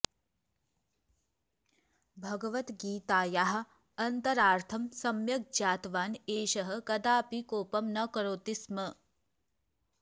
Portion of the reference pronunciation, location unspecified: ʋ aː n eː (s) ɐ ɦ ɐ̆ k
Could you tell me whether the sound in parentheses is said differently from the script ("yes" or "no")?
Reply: yes